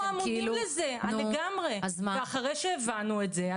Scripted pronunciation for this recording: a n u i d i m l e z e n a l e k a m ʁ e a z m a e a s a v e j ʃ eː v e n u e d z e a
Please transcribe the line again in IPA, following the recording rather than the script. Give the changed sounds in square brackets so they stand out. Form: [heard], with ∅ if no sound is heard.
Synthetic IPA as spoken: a [m] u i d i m l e z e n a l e [ɡ] a m ʁ e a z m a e a [χ] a [ʁ] e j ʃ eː v [a] n u e [t] z e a